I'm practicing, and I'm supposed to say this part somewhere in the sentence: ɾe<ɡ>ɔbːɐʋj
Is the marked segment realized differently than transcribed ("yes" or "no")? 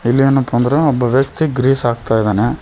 yes